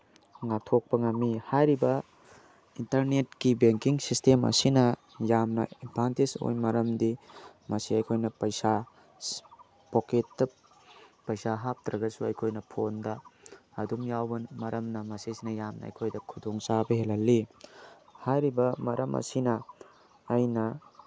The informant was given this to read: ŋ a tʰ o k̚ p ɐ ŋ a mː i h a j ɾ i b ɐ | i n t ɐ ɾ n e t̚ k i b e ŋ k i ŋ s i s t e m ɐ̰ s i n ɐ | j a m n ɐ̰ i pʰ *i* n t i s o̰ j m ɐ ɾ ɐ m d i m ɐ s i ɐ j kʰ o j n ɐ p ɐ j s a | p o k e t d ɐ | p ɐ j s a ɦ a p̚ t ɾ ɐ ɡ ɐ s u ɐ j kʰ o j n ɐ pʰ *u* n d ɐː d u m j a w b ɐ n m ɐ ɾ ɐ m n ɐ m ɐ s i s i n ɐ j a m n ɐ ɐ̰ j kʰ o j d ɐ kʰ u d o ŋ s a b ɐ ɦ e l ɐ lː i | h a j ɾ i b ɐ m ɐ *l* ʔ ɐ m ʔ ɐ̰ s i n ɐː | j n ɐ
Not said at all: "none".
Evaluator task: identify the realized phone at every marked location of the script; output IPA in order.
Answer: a, o, ɾ

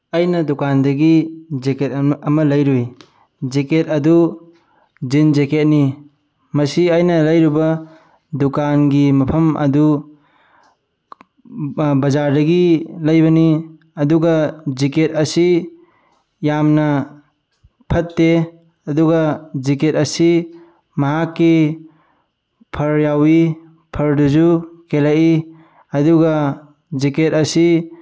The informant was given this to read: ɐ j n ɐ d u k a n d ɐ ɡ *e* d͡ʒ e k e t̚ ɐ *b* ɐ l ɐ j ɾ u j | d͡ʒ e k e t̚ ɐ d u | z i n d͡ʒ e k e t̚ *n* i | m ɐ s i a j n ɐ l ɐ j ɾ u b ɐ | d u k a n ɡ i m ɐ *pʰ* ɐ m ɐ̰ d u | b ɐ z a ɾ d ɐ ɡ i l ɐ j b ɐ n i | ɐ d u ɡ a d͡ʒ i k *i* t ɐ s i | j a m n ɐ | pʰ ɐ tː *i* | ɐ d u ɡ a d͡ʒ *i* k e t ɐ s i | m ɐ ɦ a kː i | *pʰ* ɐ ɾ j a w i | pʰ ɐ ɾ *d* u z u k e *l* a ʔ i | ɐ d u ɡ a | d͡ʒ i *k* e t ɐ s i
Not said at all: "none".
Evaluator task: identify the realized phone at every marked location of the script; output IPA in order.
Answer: i, m, n, pʰ, e, e, i, pʰ, d, l, k

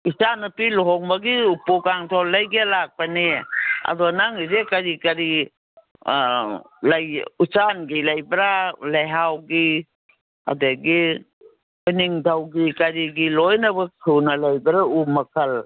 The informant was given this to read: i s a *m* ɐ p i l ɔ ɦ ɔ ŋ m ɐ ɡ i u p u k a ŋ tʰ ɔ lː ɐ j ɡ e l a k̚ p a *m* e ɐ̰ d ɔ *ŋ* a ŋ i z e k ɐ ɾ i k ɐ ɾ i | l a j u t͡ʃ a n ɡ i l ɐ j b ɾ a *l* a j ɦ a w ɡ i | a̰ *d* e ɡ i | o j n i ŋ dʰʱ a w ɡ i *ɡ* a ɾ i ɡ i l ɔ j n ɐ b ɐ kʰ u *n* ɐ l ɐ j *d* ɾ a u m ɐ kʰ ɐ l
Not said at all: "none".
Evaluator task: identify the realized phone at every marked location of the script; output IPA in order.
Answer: n, n, n, l, d, k, n, b

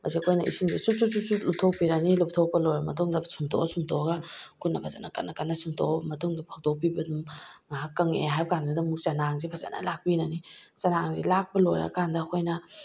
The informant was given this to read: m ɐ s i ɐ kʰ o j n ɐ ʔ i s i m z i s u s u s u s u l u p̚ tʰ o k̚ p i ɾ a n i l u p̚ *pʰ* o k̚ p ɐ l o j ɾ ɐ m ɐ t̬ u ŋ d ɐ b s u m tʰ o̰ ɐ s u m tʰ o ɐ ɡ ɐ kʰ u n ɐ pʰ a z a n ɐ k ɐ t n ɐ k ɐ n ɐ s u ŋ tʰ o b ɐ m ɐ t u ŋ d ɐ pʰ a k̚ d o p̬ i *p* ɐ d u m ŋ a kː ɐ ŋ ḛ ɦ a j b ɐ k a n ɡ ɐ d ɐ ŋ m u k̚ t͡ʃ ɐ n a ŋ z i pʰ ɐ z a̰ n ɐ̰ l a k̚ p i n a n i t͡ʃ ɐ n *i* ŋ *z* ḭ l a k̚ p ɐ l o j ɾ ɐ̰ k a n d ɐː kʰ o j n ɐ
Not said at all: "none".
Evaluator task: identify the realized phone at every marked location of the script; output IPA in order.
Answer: tʰ, b, a, z

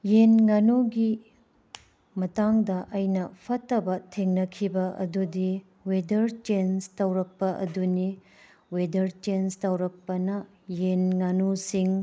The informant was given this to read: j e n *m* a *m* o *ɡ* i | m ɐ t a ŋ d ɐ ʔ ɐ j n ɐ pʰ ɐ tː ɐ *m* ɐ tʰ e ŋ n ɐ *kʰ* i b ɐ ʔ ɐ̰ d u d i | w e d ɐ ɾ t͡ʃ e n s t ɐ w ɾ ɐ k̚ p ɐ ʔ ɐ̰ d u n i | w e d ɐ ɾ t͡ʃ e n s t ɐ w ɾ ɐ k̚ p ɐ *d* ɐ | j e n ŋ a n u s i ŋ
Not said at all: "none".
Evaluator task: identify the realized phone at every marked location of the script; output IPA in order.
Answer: ŋ, n, ɡ, b, kʰ, n

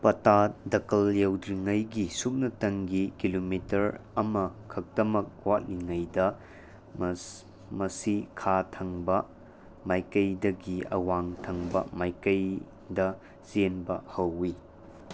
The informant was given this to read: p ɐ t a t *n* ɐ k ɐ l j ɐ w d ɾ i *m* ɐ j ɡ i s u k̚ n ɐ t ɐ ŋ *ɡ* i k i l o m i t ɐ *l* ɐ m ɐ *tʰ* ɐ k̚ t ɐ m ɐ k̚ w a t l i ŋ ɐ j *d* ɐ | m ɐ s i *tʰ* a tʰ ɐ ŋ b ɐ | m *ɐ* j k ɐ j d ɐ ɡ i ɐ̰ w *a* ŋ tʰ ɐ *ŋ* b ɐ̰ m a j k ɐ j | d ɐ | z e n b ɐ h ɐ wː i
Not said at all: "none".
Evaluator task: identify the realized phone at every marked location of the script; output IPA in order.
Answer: d, ŋ, ɡ, ɾ, kʰ, d, kʰ, a, a, ŋ

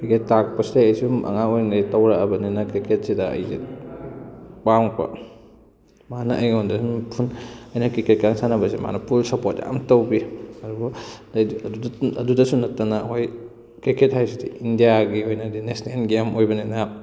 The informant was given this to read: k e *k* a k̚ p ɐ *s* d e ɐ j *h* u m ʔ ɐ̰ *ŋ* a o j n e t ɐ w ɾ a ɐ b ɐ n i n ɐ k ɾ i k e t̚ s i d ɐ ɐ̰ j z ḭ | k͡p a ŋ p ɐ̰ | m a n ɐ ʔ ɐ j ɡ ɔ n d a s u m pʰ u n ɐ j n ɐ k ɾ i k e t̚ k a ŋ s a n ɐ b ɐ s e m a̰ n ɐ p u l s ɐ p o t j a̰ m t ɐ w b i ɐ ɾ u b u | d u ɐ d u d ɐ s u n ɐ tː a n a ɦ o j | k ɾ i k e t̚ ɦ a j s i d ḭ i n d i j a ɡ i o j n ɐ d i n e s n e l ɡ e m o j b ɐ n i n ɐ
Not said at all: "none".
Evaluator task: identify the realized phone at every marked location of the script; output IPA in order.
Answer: t, s, s, ŋ

